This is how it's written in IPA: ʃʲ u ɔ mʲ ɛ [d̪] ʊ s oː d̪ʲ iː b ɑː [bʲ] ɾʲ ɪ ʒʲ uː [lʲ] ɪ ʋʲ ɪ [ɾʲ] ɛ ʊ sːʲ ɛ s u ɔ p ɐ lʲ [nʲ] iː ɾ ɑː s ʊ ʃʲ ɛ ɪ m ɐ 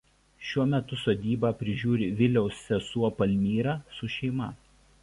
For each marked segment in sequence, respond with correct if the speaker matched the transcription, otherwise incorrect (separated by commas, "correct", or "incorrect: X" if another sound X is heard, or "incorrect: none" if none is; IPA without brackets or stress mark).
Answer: incorrect: t̪, incorrect: pʲ, incorrect: ɾʲ, incorrect: lʲ, incorrect: mʲ